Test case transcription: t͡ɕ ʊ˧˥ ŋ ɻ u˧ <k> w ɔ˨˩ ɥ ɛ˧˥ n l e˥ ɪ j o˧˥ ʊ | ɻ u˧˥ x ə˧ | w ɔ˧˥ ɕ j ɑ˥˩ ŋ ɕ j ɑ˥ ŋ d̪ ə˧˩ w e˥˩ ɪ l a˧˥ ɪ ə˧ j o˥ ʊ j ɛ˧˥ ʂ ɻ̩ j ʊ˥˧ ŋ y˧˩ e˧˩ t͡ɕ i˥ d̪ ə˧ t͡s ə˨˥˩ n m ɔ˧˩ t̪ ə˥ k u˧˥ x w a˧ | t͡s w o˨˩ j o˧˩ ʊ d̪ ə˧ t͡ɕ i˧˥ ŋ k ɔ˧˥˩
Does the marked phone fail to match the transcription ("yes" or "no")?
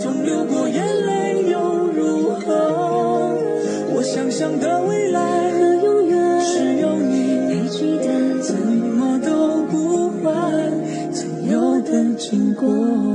no